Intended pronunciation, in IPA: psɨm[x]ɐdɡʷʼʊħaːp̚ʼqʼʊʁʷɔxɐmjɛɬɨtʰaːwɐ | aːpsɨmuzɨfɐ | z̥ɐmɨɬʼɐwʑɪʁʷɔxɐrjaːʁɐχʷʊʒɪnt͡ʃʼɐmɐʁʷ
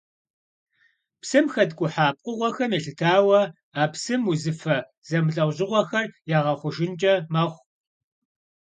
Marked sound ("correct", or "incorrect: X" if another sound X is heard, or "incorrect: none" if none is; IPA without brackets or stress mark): correct